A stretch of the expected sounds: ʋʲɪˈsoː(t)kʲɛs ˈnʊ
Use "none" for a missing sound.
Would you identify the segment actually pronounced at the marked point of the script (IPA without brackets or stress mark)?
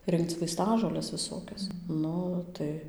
none